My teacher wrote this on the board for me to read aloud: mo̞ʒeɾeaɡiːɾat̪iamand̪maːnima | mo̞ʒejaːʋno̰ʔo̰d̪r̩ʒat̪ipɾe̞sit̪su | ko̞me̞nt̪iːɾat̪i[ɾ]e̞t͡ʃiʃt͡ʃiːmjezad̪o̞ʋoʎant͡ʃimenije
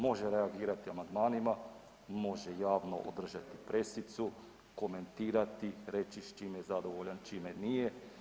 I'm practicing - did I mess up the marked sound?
no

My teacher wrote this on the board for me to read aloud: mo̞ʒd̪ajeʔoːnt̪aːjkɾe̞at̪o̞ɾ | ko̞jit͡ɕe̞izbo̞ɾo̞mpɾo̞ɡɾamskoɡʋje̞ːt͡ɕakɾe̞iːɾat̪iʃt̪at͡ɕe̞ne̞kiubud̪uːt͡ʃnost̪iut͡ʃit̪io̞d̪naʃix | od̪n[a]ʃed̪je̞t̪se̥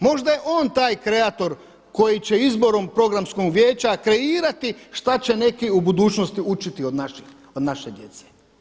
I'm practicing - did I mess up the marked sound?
no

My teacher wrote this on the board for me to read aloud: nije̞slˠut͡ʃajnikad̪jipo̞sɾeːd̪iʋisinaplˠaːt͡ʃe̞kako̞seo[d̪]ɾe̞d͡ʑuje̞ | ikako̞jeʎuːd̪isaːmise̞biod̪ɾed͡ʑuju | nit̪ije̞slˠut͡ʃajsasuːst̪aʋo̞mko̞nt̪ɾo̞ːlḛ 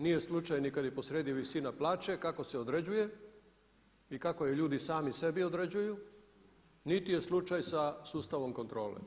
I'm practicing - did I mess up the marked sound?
no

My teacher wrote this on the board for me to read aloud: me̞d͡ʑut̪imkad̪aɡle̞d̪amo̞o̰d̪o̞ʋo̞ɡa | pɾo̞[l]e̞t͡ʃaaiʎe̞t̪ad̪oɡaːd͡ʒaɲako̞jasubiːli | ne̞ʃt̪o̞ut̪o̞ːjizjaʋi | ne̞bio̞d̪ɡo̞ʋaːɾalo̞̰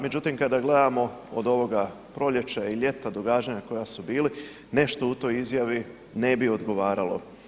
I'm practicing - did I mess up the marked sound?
yes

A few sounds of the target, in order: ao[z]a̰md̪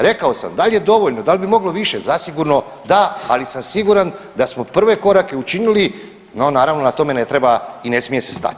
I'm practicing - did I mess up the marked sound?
yes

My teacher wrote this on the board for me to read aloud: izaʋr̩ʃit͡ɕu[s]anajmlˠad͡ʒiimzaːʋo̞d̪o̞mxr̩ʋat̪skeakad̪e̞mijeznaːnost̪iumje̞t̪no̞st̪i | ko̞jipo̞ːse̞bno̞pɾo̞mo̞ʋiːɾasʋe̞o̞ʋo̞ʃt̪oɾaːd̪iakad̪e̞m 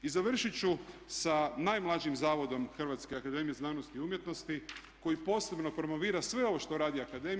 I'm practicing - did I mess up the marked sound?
no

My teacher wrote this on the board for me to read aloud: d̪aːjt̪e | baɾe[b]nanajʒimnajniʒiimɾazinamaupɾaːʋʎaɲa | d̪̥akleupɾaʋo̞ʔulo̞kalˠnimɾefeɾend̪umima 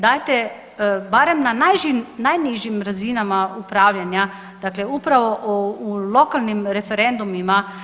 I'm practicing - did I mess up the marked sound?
yes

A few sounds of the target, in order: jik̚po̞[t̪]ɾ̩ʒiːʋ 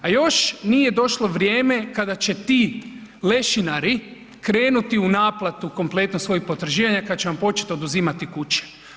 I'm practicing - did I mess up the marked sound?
no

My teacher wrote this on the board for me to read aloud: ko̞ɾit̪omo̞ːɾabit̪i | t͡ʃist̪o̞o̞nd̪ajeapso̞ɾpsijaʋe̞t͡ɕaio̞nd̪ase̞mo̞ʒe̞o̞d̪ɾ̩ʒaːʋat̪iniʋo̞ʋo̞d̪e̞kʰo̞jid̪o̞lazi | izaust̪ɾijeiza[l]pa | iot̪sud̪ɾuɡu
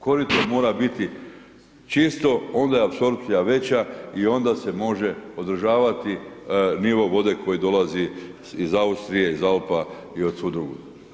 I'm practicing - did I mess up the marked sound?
no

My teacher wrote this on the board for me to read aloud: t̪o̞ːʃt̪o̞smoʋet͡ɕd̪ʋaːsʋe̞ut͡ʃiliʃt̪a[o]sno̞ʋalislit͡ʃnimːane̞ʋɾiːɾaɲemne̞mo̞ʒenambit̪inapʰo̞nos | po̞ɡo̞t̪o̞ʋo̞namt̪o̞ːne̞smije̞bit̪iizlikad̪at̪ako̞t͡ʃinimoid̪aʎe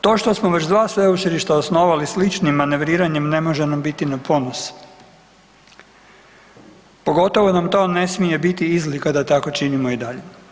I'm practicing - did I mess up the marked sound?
no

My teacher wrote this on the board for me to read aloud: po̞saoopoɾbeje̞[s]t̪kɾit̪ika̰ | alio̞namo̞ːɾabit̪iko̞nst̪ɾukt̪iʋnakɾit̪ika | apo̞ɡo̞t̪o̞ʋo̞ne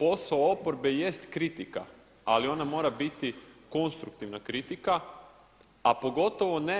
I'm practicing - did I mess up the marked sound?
no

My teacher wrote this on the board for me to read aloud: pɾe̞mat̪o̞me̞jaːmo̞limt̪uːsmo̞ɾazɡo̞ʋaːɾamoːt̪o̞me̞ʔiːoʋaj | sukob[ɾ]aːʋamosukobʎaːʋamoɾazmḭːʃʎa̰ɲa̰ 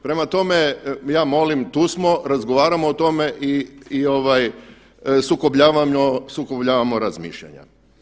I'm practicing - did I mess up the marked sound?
yes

